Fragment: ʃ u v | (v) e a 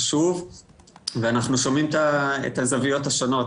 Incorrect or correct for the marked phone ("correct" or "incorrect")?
correct